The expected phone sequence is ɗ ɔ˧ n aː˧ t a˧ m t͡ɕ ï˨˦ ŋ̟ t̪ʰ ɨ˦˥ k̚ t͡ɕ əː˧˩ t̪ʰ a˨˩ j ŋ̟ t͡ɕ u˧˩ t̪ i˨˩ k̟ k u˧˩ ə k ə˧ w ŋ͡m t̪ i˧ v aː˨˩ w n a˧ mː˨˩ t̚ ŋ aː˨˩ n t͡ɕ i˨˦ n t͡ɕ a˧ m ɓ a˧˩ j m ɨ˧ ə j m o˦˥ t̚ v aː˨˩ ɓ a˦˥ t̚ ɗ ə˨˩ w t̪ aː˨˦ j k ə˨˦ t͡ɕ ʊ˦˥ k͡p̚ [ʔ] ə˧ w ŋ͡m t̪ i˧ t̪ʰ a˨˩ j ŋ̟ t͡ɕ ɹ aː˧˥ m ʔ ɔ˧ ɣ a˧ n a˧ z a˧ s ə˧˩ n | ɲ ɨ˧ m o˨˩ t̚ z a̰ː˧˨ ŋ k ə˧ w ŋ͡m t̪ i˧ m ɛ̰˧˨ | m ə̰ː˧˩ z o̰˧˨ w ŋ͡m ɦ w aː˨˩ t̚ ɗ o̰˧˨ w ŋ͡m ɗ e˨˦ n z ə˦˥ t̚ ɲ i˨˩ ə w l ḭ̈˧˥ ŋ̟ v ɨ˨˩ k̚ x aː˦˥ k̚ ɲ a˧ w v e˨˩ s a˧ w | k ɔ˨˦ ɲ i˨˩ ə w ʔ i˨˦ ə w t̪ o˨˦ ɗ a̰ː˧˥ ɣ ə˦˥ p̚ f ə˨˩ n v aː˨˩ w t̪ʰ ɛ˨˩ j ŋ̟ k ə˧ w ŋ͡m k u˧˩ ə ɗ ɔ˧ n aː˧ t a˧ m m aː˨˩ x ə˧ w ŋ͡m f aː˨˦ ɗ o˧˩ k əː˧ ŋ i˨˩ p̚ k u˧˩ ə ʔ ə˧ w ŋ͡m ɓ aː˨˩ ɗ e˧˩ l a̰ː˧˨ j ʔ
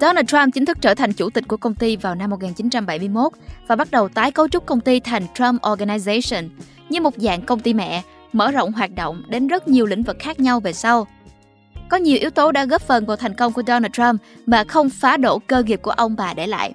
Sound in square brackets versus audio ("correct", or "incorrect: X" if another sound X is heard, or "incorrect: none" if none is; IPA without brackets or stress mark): incorrect: k